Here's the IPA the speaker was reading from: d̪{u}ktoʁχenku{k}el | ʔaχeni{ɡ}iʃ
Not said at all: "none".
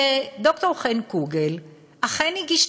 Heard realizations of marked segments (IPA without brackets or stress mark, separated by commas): o, ɡ, ɡ